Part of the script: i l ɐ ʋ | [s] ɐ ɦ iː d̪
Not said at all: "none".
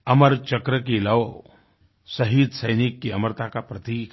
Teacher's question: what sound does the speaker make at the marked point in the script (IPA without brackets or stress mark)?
s